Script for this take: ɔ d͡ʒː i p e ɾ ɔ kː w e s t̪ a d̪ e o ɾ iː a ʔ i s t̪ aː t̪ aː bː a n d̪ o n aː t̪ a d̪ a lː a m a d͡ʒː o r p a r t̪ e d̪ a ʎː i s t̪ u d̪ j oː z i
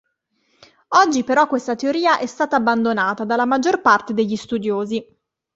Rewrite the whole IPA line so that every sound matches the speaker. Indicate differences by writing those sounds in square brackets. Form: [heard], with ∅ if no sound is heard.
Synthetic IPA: ɔ d͡ʒː i p e ɾ ɔ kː w e s t̪ a [t̪] e o ɾ iː a ʔ [ɛ] s t̪ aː t̪ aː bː a n d̪ o n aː t̪ a d̪ a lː a m a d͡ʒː o r p a r t̪ e d̪ [e] ʎː i s t̪ u d̪ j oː z i